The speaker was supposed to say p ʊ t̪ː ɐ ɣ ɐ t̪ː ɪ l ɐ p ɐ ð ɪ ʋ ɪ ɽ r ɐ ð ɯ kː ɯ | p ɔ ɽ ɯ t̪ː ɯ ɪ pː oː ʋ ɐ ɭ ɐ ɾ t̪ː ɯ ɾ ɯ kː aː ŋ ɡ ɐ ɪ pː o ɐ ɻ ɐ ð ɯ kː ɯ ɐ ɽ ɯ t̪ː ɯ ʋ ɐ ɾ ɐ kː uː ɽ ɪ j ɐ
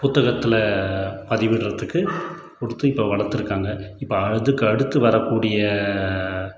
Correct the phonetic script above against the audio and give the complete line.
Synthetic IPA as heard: p ʊ t̪ː ɐ ɣ ɐ t̪ː ɪ l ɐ p ɐ ð ɪ ʋ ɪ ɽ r ɐ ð ɯ kː ɯ | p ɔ ɽ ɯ t̪ː ɯ ɪ pː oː ʋ ɐ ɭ ɐ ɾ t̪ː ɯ ɾ ɯ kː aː ŋ ɡ ɐ ɪ pː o ɐ ɻ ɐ ð ɯ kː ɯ ɐ ɽ ɯ t̪ː ɯ ʋ ɐ ɾ ɐ kː uː ɽ ɪ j ɐ